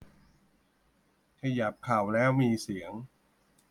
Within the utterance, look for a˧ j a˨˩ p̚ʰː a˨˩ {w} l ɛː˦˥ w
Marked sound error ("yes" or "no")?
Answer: no